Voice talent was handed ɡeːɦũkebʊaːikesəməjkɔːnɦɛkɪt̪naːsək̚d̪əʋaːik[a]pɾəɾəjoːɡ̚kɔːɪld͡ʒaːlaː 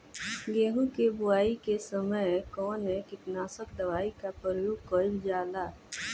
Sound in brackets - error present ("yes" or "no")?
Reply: no